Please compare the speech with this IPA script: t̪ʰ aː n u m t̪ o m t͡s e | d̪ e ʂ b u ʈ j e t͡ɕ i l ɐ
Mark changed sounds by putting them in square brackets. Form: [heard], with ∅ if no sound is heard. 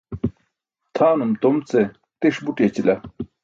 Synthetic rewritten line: t̪ʰ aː n u m t̪ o m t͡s e | [t̪] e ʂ b u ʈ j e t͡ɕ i l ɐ